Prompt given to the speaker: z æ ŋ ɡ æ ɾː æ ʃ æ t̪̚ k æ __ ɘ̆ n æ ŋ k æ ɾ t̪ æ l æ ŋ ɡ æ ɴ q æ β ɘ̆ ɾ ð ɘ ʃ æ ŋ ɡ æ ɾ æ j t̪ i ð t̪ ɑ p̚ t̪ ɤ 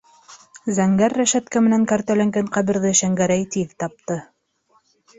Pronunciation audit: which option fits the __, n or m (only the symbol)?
m